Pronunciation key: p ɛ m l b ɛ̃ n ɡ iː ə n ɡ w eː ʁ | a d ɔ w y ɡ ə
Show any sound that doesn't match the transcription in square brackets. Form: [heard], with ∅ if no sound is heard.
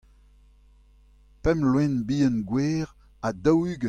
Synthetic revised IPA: p ɛ m l [w] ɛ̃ n [b] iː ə n ɡ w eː ʁ | a d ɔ w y ɡ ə